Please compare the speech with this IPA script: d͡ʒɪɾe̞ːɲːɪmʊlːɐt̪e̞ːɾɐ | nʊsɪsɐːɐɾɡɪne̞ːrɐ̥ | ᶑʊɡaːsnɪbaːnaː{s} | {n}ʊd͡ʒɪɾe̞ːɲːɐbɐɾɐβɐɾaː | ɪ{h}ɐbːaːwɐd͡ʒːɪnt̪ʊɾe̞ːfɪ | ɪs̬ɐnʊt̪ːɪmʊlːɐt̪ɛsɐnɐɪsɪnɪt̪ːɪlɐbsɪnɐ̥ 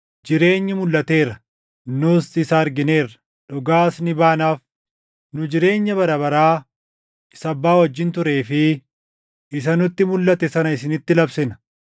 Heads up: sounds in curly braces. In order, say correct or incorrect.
incorrect: f, correct, incorrect: s

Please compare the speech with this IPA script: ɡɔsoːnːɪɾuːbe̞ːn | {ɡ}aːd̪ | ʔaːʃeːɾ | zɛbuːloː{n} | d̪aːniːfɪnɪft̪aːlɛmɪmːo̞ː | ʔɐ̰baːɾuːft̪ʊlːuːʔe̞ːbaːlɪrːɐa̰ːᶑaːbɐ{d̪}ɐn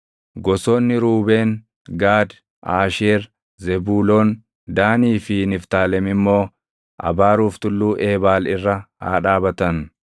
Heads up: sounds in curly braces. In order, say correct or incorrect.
correct, correct, incorrect: t̪

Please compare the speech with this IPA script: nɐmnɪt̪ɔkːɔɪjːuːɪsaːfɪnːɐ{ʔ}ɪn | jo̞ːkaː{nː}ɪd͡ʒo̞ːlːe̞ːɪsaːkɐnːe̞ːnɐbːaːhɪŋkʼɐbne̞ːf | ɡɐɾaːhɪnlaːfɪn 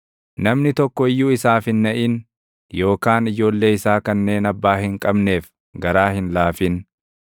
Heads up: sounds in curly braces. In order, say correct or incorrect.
correct, incorrect: n

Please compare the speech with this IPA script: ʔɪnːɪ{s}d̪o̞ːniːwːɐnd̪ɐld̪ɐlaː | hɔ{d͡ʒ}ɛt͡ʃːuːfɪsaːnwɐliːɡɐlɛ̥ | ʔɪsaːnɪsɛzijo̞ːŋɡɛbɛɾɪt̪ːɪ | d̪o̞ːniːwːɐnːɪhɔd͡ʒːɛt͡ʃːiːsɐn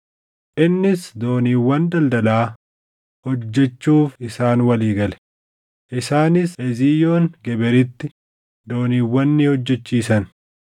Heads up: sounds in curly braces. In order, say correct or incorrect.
correct, incorrect: d͡ʒː

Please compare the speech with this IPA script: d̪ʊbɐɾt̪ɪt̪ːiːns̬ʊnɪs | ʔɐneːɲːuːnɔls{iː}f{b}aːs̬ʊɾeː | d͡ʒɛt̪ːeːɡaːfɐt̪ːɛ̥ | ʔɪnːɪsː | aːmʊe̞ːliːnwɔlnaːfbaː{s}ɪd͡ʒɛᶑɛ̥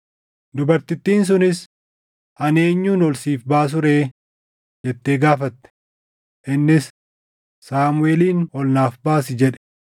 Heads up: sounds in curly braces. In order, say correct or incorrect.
correct, correct, correct

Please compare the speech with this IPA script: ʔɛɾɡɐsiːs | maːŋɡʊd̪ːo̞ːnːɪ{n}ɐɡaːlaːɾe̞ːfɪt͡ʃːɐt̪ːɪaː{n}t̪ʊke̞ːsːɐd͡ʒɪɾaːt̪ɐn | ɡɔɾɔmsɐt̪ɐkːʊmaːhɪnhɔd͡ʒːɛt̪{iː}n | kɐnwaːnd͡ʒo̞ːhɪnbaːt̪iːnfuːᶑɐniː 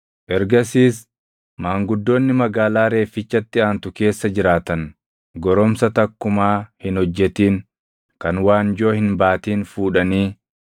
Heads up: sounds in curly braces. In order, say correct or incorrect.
incorrect: m, correct, correct

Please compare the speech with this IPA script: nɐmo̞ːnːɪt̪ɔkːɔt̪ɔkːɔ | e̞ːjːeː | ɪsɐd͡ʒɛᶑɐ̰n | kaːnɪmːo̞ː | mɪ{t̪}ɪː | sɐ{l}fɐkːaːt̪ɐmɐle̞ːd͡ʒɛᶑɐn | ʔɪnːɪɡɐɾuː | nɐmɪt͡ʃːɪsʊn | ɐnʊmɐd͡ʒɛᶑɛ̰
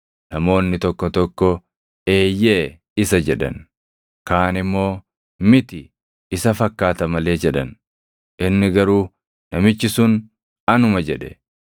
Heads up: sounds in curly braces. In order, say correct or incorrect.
correct, incorrect: none

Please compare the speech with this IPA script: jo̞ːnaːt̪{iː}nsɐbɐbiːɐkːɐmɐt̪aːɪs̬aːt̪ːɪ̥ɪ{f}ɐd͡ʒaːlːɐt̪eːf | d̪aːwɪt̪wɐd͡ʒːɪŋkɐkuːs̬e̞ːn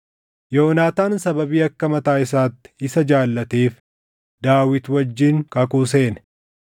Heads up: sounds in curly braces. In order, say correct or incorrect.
incorrect: aː, incorrect: s

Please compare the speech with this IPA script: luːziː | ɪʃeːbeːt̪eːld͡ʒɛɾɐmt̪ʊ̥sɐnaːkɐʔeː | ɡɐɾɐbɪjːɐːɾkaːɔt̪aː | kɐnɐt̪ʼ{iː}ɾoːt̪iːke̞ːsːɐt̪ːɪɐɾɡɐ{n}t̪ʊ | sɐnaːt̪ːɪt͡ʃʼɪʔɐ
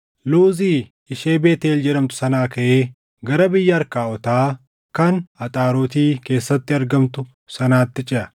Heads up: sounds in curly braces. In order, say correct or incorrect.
incorrect: aː, incorrect: m

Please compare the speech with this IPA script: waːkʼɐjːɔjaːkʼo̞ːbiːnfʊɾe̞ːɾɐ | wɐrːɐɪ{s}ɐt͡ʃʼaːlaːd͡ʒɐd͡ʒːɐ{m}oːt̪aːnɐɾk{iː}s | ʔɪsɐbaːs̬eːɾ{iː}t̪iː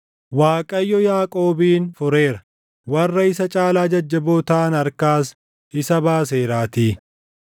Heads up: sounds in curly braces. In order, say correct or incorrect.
correct, incorrect: b, incorrect: aː, incorrect: aː

